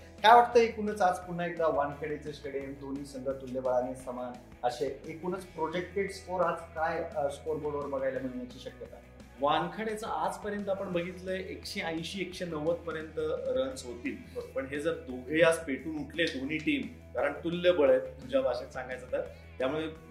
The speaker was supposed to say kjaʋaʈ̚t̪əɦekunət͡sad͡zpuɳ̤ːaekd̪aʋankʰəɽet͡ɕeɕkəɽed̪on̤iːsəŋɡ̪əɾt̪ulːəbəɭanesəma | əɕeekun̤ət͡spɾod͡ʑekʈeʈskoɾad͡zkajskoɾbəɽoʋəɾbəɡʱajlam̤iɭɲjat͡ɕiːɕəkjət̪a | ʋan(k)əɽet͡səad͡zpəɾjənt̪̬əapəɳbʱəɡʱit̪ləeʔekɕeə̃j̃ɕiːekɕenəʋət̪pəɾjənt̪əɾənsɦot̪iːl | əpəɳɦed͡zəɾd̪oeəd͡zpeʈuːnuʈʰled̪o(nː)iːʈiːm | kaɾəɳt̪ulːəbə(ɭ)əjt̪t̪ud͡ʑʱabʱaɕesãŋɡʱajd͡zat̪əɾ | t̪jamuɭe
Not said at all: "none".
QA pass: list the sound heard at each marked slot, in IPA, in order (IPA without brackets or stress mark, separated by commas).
kʰ, n, ɭ